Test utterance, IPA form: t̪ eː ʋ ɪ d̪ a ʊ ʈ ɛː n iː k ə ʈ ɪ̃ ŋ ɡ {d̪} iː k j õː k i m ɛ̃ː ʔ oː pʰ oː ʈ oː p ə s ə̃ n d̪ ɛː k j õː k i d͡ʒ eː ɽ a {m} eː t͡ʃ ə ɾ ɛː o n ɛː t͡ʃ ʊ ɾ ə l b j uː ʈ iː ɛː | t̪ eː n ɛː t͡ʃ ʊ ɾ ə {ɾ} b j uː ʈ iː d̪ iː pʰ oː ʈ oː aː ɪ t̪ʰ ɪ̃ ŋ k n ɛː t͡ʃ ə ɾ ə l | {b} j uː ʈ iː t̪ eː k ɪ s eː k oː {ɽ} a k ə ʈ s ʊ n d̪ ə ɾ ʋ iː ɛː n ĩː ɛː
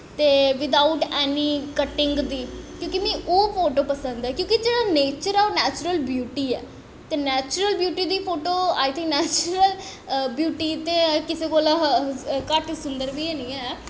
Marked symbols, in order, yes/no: yes, no, no, yes, no

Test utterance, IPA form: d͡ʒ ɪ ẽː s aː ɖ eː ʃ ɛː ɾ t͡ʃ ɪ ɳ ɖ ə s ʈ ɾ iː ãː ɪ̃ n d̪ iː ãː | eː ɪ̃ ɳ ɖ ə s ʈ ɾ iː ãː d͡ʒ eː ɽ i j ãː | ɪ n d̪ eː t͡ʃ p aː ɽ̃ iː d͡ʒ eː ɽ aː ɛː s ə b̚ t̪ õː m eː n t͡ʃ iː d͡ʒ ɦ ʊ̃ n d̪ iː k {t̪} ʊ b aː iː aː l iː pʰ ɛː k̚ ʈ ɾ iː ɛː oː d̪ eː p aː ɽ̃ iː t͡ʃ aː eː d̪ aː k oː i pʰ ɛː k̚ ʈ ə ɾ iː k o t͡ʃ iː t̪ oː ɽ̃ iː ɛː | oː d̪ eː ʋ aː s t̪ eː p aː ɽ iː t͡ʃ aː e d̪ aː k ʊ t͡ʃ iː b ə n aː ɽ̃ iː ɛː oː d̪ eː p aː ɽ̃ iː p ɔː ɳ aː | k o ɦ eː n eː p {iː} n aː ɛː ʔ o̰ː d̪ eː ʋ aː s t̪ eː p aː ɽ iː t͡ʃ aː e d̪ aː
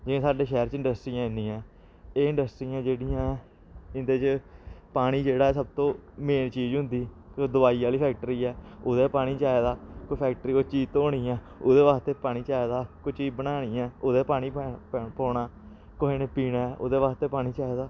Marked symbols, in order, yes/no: no, yes

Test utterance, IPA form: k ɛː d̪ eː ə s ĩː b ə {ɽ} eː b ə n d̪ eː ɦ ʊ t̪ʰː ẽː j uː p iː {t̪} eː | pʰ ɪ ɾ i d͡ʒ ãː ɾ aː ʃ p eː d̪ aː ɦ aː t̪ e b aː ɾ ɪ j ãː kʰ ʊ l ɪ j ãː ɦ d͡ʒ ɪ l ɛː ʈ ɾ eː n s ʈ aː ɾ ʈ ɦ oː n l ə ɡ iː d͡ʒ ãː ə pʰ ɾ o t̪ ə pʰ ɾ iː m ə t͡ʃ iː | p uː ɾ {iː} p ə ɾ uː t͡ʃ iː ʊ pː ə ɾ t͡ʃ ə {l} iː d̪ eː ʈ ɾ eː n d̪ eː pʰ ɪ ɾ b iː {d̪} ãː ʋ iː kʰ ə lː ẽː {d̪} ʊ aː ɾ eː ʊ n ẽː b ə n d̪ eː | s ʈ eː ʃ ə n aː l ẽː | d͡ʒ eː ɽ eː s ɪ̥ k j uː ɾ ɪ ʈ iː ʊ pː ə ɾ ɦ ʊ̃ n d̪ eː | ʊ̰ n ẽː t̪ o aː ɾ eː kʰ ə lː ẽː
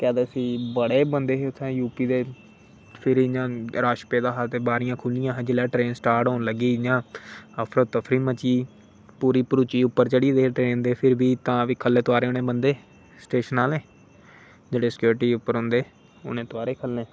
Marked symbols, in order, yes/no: yes, no, yes, no, no, no

